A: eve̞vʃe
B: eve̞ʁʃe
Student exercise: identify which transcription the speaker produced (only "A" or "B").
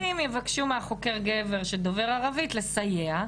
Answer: B